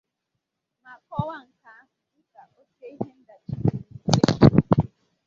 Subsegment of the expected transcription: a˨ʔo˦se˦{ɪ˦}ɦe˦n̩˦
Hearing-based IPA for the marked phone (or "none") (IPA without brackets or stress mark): i˦